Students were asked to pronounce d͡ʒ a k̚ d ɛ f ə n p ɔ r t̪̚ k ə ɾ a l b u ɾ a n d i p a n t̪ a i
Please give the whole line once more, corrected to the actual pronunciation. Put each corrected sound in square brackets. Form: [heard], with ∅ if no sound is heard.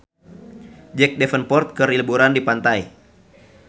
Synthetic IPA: d͡ʒ [ɛ] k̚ d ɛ f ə n p ɔ r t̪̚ k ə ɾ [i] l b u ɾ a n d i p a n t̪ a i